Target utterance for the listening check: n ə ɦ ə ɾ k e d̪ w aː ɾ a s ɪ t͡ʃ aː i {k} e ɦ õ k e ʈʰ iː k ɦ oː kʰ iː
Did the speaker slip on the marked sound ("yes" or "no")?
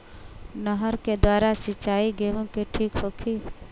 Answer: yes